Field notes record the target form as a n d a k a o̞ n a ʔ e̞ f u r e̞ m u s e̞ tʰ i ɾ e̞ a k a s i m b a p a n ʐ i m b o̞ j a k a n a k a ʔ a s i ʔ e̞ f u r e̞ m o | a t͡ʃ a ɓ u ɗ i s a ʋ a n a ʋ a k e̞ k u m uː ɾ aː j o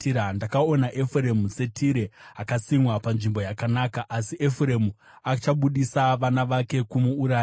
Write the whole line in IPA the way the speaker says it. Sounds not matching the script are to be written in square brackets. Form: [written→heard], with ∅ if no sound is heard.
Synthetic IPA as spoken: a n d a k a o̞ n a ʔ e̞ f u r e̞ m u s e̞ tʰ i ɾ e̞ a k a s i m [b→w] a p a n ʐ i m b o̞ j a k a n a k a ʔ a s i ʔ e̞ f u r e̞ m [o→u] | a t͡ʃ a ɓ u ɗ i s a ʋ a n a ʋ a k e̞ k u m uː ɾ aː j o